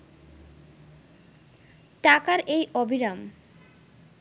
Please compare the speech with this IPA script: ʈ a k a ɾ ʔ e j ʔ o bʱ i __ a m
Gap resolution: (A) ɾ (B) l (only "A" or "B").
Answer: A